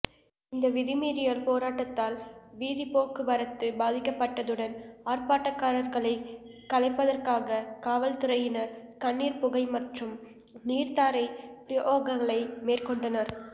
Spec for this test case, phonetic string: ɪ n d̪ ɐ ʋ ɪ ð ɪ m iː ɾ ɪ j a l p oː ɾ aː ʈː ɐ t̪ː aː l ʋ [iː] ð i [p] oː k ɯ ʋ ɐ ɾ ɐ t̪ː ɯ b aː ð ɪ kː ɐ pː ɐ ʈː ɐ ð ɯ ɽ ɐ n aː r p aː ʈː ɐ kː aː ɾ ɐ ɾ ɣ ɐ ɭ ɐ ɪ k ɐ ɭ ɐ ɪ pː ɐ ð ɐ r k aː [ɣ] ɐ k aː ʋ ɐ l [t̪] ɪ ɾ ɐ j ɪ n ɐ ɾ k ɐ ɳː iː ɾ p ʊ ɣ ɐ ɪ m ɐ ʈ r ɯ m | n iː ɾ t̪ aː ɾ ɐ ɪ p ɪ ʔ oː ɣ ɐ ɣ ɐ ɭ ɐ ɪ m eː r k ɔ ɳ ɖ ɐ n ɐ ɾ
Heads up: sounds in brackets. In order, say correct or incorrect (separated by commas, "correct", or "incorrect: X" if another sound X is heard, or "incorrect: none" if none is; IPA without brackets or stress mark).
correct, correct, correct, correct